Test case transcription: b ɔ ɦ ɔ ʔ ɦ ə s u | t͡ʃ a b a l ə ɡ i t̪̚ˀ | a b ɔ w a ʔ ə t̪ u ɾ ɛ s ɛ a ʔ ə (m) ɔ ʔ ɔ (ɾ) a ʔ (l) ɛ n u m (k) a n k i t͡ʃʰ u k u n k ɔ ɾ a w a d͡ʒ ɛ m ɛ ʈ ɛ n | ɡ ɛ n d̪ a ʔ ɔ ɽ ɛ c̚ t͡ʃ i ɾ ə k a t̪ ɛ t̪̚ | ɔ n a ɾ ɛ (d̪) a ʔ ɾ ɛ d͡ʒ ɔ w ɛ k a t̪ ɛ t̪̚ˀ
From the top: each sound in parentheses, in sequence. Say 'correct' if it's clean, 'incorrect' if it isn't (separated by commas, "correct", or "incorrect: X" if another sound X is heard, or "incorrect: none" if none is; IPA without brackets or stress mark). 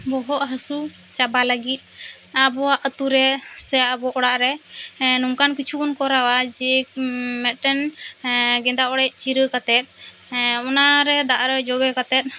incorrect: b, incorrect: ɽ, incorrect: ɾ, correct, correct